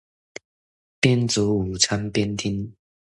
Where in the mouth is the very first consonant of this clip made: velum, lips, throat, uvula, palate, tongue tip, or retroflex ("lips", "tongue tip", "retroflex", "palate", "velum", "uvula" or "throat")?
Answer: lips